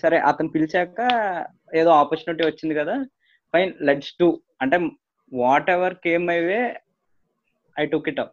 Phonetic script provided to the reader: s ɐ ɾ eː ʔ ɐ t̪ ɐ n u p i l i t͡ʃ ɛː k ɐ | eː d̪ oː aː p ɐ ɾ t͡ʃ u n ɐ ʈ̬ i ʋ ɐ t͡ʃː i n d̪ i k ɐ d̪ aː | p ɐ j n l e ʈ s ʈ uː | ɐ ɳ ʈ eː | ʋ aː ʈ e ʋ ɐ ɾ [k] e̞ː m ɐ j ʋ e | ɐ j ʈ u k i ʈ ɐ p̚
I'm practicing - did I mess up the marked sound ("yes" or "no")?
no